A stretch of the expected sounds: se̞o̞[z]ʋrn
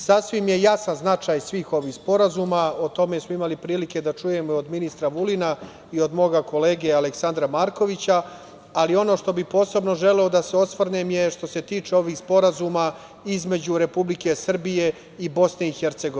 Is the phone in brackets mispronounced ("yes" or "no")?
yes